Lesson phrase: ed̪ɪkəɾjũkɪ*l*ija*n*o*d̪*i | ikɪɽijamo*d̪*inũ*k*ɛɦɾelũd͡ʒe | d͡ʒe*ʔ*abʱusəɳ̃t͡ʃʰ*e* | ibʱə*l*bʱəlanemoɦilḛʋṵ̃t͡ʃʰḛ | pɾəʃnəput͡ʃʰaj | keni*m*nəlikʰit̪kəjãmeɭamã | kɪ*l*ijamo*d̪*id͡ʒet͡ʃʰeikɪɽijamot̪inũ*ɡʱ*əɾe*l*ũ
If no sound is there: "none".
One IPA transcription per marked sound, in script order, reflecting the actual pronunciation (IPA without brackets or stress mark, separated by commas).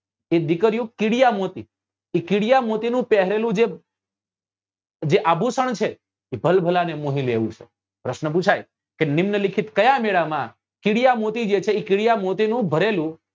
ɽ, m, t̪, t̪, p, ʔ, e, l, m, ɽ, t̪, bʱ, l